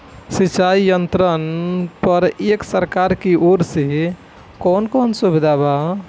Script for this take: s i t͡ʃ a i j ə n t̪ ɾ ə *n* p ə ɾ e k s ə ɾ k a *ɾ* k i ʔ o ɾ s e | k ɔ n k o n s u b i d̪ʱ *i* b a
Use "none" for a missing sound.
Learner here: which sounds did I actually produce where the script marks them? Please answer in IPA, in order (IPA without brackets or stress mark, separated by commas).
n, ɾ, a